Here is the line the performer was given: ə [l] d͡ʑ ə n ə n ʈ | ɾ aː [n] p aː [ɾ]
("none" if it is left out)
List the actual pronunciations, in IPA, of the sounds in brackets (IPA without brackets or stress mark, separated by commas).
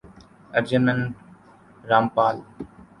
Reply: ɾ, m, l